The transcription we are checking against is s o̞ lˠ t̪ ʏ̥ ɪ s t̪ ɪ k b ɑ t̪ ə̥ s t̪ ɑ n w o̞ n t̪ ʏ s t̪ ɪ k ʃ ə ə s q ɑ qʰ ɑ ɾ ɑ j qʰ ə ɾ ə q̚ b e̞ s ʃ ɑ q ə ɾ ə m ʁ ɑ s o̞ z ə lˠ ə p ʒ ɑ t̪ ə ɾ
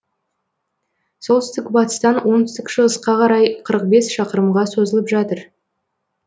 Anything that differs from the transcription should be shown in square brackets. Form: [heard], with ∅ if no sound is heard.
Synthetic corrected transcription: s o̞ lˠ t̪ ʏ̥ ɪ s t̪ ɪ k b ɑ t̪ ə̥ s t̪ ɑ n w o̞ n t̪ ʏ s t̪ ɪ k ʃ ə ə s q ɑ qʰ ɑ ɾ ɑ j qʰ ə ɾ ə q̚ b e̞ s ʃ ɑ q ə ɾ ə m ʁ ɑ s o̞ z ə lˠ ə p ʒ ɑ t̪ ə ɾ